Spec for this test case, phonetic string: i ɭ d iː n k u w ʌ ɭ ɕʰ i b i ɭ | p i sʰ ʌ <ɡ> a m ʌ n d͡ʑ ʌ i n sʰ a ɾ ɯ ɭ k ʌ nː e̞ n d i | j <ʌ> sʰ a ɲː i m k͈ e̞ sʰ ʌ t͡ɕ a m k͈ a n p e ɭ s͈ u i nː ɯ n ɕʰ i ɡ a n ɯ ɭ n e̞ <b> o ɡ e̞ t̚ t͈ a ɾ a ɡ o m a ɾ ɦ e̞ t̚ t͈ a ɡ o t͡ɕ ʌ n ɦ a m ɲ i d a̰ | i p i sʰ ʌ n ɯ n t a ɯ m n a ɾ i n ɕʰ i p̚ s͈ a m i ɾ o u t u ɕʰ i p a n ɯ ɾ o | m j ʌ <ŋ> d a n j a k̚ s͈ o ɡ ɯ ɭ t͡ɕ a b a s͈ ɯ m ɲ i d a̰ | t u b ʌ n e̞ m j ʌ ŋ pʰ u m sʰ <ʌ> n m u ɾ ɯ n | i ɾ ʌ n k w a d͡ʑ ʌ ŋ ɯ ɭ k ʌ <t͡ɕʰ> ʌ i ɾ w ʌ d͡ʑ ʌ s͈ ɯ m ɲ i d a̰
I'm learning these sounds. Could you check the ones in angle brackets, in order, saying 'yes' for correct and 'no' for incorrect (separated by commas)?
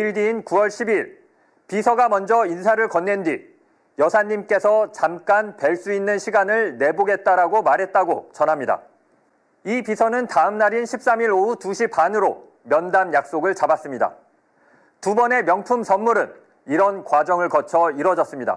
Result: yes, yes, yes, no, yes, yes